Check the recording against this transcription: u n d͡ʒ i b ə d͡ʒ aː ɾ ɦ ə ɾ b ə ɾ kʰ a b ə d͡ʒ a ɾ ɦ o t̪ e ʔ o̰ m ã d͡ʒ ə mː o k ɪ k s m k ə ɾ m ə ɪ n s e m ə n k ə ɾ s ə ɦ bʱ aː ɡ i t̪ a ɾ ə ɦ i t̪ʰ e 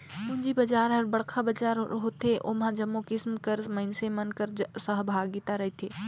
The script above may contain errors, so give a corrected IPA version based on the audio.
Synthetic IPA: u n d͡ʒ i b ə d͡ʒ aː ɾ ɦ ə ɾ b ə ɽ kʰ a b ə d͡ʒ a ɾ ɦ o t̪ e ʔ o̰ m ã d͡ʒ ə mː o k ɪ s m k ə ɾ m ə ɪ n s e m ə n k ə ɾ s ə ɦ bʱ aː ɡ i t̪ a ɾ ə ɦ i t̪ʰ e